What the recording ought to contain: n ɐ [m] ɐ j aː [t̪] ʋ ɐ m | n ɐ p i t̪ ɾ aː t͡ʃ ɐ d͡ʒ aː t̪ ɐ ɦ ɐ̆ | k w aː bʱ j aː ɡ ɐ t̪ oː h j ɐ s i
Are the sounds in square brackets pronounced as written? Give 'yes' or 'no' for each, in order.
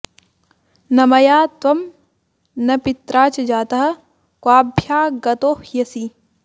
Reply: yes, yes

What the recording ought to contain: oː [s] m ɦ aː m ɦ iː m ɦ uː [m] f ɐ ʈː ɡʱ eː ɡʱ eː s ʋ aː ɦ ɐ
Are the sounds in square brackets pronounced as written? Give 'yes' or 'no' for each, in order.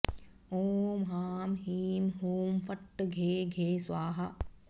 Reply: no, yes

